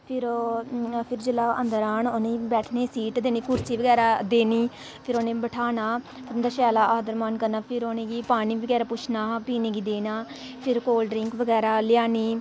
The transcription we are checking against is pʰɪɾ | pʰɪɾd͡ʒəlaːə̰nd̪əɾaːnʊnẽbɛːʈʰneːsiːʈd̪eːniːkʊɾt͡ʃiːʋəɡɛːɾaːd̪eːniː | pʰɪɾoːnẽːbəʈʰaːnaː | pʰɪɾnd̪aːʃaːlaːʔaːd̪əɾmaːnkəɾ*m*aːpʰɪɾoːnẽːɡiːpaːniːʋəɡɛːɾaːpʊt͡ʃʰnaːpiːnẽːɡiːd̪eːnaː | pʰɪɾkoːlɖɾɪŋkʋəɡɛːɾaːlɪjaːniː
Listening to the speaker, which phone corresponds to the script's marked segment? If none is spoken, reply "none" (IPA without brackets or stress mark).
n